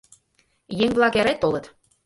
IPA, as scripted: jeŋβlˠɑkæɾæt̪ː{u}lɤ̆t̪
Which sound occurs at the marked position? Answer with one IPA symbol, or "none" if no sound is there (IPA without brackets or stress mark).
o